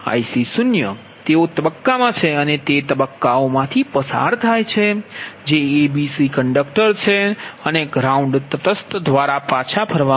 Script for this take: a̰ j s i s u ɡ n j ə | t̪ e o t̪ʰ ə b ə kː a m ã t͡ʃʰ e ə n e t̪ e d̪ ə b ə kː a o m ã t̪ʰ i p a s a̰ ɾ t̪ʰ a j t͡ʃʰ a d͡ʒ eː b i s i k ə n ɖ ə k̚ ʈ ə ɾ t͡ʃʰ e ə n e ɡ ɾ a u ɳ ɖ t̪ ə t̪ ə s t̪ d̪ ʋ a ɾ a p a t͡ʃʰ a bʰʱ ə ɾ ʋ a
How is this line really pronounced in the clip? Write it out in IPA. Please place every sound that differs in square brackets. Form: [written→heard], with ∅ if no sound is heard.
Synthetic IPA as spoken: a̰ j s i s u [ɡ→∅] n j ə | t̪ e o [t̪ʰ→t̪] ə b ə kː a m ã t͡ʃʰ e ə n e t̪ e [d̪→t̪] ə b ə kː a o m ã t̪ʰ i p [a→ə] s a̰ ɾ t̪ʰ a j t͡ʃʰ [a→e] d͡ʒ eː b i s i k ə [n→ɳ] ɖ ə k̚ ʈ ə ɾ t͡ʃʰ e ə n e ɡ ɾ a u ɳ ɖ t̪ ə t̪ ə s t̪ d̪ ʋ a ɾ a p a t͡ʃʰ a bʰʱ ə ɾ ʋ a